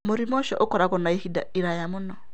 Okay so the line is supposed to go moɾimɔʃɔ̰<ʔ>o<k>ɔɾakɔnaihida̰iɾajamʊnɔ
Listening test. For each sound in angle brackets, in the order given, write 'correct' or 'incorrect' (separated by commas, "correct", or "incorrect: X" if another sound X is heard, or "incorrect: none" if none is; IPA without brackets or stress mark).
correct, correct